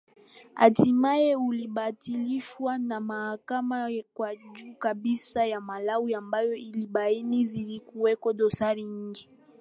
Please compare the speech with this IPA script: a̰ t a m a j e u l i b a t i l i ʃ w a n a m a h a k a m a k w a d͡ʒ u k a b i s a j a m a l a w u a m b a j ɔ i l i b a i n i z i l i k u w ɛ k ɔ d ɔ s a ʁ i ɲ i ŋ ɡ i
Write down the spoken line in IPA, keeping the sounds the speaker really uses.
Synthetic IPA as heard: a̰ t i m a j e u l i b a t i l i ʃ w a n a m a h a k a m a k w a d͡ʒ u k a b i s a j a m a l a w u a m b a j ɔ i l i b a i n i z i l i k u w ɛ k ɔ d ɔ s a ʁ i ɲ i ŋ ɡ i